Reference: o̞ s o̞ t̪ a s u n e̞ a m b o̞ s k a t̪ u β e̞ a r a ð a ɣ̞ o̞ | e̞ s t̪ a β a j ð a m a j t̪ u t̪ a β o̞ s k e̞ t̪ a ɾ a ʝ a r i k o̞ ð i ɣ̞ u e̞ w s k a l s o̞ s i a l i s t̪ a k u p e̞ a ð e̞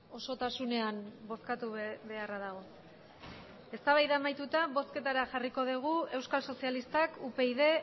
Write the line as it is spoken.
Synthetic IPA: o̞ s o̞ t̪ a s u n e̞ a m b o̞ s k a t̪ u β e̞ a r a ð a ɣ̞ o̞ | e̞ s t̪ a β a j ð a m a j t̪ u t̪ a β o̞ s k e̞ t̪ a ɾ a ʝ a r i k o̞ ð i ɣ̞ u e̞ w s k a l s o̞ s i a l i s t̪ a k u p e̞ i ð e̞